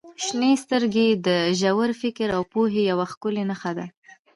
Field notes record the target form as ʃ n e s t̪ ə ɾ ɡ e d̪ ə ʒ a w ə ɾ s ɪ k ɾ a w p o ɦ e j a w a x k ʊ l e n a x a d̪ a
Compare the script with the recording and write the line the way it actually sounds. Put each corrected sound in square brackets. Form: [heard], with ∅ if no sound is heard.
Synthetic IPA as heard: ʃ n e s t̪ ə ɾ ɡ e d̪ ə ʒ a w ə ɾ [f] ɪ k ɾ a w p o ɦ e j a w a x k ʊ l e n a x a d̪ a